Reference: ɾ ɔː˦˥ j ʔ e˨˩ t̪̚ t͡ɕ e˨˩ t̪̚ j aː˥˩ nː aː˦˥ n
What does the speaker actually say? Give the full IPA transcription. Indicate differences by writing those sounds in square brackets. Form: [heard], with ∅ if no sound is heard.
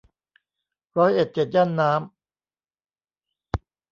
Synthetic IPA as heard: ɾ ɔː˦˥ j ʔ e˨˩ t̪̚ t͡ɕ e˨˩ t̪̚ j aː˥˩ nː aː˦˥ [m]